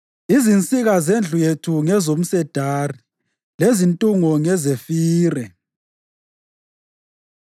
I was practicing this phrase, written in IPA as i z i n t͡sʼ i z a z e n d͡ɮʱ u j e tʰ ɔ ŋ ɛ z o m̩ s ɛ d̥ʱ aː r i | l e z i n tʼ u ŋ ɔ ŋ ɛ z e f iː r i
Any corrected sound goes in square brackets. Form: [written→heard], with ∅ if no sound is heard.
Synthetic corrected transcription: i z i n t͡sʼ i [z→ɣ] a z e n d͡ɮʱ u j e tʰ [ɔ→u] ŋ ɛ z o m̩ s ɛ d̥ʱ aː r i | l e z i n tʼ u ŋ ɔ ŋ ɛ z e f iː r [i→ɛ]